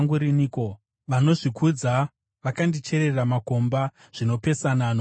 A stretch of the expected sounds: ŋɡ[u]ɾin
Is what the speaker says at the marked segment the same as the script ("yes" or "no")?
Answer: yes